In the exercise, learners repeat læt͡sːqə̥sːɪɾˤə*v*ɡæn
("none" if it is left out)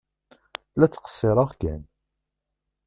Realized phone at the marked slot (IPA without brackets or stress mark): ʁ